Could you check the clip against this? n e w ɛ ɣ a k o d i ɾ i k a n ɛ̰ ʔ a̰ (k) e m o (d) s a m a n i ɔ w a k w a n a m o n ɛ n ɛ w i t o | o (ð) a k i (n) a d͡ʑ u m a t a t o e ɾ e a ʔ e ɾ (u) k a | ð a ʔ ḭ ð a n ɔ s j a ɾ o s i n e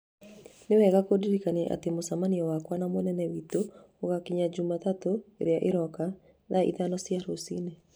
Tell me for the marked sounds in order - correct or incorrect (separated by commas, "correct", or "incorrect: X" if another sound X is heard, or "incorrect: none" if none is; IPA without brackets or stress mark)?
incorrect: t, incorrect: none, incorrect: ɣ, incorrect: ɲ, incorrect: ɔ